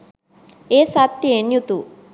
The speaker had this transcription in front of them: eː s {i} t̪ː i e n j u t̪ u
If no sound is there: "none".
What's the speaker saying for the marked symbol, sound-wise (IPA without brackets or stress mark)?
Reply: a